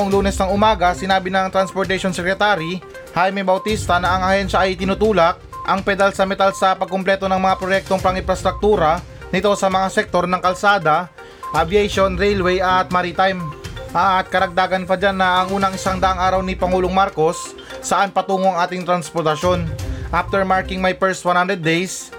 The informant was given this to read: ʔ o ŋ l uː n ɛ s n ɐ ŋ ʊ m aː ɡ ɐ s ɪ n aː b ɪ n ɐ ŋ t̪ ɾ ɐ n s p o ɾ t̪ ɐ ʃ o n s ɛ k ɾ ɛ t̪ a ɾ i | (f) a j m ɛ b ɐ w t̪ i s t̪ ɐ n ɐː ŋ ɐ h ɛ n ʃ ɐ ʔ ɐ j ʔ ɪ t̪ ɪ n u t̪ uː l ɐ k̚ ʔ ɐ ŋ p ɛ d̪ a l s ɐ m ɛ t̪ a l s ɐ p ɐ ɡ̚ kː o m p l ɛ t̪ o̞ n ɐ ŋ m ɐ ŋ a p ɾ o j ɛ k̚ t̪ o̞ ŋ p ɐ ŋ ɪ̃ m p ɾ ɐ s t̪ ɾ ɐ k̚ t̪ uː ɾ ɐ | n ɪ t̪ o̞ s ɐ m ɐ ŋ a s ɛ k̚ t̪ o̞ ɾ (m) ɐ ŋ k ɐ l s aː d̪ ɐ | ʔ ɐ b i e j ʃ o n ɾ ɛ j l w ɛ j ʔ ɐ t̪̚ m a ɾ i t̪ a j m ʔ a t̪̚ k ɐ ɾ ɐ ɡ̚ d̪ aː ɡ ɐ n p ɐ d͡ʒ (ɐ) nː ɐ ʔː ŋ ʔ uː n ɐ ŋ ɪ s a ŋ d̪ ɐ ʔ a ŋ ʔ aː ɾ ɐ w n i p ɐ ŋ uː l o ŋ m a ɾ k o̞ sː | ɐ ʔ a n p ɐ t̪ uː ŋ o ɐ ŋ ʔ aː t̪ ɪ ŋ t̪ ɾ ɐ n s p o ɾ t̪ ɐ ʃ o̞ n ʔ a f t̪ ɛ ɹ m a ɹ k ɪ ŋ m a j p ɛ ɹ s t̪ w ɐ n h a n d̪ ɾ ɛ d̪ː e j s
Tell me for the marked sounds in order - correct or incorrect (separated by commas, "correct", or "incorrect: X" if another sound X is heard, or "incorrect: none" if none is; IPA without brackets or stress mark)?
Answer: incorrect: h, incorrect: n, incorrect: a